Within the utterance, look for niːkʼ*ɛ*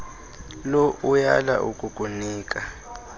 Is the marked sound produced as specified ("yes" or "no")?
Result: no